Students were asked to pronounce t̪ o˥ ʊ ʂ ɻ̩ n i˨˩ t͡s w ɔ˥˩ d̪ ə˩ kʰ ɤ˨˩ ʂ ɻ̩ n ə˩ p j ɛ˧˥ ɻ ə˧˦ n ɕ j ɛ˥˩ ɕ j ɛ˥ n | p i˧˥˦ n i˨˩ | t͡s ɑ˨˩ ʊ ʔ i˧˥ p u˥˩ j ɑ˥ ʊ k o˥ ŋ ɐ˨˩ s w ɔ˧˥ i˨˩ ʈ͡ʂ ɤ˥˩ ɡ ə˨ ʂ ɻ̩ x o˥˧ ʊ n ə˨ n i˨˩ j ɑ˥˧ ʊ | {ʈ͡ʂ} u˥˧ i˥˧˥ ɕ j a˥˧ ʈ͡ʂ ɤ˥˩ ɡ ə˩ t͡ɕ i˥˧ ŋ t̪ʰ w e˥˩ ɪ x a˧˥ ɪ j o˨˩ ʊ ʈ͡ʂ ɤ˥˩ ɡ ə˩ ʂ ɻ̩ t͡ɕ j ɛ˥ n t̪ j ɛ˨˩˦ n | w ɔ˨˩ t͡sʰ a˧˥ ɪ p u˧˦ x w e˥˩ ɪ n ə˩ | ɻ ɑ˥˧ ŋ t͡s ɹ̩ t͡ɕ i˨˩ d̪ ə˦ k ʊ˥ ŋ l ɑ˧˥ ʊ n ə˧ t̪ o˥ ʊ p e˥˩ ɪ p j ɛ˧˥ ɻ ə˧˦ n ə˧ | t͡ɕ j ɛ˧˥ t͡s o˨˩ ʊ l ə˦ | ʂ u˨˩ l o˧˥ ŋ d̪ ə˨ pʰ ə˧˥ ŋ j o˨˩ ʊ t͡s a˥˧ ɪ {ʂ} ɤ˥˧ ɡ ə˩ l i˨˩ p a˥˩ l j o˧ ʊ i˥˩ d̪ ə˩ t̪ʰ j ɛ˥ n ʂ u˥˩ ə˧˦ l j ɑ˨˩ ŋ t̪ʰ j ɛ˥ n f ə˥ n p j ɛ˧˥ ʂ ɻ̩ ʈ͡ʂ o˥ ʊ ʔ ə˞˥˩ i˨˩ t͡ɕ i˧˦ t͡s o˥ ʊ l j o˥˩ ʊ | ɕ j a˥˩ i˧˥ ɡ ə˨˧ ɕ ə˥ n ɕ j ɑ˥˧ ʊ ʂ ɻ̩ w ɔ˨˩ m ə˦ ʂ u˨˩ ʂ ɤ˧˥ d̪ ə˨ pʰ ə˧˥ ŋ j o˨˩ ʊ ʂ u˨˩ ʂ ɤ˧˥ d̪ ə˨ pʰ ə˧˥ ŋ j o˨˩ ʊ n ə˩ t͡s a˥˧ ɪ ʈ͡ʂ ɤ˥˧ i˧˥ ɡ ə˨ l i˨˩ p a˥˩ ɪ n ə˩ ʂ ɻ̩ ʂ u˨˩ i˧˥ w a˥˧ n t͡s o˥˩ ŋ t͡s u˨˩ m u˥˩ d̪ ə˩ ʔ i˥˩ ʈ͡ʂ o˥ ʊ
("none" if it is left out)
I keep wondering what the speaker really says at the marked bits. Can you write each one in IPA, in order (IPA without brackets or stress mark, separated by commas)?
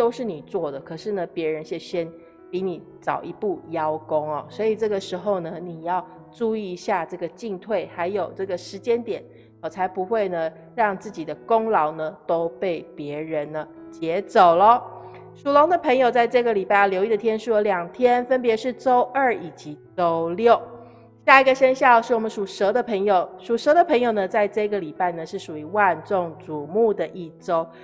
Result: ʈ͡ʂ, ʈ͡ʂ